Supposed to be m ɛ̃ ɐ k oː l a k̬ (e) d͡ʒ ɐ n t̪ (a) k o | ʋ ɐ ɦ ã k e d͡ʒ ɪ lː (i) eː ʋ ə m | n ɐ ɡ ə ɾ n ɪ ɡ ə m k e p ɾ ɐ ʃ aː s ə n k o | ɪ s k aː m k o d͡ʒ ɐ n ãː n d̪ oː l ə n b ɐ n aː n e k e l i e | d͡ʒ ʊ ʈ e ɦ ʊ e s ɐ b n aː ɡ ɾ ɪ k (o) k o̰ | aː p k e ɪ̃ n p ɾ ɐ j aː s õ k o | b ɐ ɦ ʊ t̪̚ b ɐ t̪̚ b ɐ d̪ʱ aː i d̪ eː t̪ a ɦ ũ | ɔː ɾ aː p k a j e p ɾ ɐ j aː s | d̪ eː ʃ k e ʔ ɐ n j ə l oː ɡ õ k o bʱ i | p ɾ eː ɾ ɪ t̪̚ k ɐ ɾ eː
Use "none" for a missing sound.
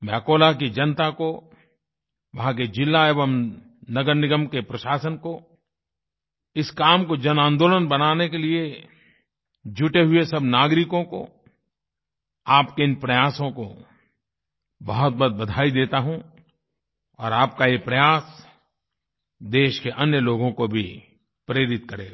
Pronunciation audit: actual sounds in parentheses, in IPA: i, a, a, õ

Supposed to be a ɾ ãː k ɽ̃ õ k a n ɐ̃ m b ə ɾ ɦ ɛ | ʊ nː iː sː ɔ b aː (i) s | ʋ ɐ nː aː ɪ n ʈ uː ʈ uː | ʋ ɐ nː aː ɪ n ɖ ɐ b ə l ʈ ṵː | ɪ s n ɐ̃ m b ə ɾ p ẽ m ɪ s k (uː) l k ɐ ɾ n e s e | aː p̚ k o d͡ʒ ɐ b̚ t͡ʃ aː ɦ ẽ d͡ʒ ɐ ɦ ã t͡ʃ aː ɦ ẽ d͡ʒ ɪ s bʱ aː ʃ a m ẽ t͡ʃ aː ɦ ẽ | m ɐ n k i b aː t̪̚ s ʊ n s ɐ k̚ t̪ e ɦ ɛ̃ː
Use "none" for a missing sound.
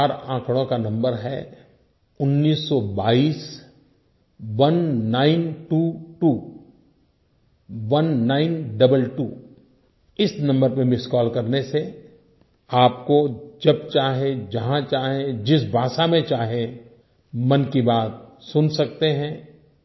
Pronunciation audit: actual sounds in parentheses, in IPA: iː, ɔː

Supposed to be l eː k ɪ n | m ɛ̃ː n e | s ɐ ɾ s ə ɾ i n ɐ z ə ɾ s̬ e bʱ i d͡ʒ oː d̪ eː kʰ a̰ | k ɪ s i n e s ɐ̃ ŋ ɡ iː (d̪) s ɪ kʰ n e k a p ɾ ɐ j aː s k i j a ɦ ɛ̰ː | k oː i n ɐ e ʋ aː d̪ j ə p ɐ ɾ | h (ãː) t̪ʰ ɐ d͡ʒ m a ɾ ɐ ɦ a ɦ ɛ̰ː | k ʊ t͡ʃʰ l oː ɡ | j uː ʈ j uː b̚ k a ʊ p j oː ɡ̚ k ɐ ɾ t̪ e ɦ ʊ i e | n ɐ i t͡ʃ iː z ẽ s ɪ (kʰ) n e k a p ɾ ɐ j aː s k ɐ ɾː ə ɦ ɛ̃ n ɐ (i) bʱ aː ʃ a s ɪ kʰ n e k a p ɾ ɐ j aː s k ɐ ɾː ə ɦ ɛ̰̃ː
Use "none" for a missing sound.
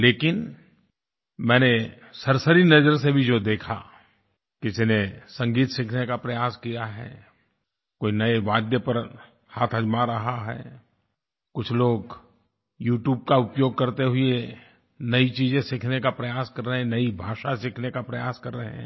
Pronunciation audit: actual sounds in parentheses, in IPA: t̪, aː, kʰ, i

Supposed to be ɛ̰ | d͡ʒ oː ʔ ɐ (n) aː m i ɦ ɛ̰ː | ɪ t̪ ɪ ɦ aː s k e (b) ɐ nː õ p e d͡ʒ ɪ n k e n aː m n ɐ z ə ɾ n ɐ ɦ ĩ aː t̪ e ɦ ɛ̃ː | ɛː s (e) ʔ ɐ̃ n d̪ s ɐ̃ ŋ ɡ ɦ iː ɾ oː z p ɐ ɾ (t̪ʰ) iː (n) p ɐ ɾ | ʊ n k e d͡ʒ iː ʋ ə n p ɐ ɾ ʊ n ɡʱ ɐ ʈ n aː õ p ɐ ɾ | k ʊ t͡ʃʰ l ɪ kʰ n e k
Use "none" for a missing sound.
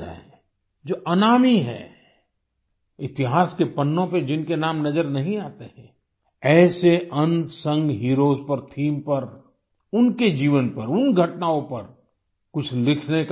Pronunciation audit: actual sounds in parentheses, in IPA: n, p, e, t̪ʰ, m

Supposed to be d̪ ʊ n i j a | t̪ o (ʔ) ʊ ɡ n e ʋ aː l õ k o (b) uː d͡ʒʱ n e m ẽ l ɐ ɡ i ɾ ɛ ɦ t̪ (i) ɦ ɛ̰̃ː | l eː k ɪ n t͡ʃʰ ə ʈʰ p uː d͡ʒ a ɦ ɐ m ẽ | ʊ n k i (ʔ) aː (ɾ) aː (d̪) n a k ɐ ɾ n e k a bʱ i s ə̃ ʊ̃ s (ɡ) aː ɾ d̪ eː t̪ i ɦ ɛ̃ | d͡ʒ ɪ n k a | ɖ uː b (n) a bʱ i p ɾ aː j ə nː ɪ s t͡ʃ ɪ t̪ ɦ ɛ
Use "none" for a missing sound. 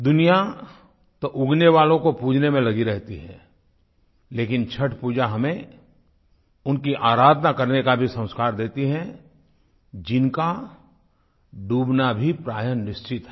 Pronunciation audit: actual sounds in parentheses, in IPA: ʔ, p, i, ʔ, ɾ, d̪, k, n

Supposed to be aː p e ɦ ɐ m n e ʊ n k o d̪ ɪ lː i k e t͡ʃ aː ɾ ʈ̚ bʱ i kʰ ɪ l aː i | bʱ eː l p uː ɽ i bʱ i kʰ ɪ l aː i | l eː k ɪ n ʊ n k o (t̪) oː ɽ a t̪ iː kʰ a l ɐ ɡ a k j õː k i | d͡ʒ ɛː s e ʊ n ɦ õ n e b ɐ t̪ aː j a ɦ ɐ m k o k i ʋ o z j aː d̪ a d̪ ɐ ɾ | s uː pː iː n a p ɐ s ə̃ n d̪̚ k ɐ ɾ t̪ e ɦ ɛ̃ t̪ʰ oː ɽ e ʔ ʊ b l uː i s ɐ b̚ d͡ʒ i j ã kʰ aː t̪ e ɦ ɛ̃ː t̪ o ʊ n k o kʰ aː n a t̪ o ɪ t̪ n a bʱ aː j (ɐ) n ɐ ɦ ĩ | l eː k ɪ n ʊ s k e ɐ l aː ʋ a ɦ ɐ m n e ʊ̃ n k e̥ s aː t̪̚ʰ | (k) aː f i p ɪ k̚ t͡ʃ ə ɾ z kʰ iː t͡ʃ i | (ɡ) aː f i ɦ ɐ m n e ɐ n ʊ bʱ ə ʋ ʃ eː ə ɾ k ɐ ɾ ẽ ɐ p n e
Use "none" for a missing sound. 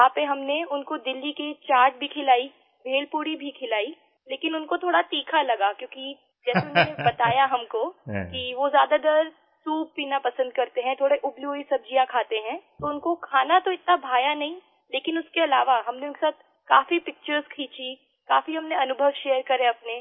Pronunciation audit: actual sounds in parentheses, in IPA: t̪ʰ, a, k, k

